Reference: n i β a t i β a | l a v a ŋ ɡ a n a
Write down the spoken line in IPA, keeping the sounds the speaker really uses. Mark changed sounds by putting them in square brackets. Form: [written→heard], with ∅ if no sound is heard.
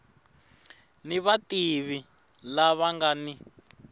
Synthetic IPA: n i β a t i β [a→i] | l a [v→β] a ŋ ɡ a n [a→i]